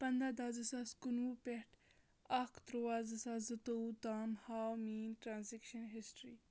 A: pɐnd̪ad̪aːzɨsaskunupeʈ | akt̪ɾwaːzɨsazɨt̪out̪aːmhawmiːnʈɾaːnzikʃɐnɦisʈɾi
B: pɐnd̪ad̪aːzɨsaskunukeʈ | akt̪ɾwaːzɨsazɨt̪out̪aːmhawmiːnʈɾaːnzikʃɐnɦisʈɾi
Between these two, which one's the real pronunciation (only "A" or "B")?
A